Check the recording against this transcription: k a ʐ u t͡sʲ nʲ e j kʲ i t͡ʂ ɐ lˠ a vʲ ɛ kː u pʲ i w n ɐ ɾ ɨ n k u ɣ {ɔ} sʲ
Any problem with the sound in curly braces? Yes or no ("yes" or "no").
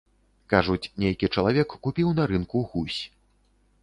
yes